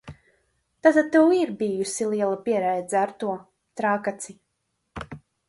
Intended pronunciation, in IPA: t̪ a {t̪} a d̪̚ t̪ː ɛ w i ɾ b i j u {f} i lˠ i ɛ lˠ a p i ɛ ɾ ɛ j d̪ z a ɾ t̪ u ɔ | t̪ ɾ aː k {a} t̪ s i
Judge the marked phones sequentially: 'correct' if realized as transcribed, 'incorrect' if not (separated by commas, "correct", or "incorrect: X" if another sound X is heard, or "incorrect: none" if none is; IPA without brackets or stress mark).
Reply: correct, incorrect: s, correct